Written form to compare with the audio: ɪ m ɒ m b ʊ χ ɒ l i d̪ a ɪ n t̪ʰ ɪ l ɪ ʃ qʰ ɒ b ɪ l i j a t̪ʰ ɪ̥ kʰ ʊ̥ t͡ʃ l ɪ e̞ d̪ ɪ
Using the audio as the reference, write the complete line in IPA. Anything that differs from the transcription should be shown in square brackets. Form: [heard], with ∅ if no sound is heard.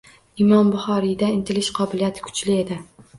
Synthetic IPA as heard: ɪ m ɒ m b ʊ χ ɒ [ɾ] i d̪ a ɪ n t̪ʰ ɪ l ɪ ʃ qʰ ɒ b ɪ l i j a t̪ʰ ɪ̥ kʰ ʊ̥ t͡ʃ l ɪ e̞ d̪ ɪ